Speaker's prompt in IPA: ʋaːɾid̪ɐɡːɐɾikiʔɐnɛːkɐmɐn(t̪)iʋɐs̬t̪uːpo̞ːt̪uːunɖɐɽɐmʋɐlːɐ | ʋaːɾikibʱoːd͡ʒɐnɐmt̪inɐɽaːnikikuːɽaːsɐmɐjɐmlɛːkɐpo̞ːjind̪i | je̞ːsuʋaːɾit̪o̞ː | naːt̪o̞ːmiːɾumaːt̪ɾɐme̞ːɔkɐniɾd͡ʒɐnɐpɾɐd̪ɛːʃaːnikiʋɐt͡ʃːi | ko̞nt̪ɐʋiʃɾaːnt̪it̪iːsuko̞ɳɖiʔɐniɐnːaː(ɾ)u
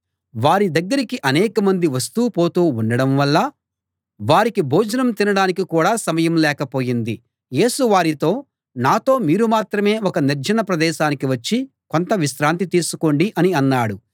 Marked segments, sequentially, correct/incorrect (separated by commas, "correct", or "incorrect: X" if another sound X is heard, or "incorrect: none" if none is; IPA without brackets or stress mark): incorrect: d̪, incorrect: ɽ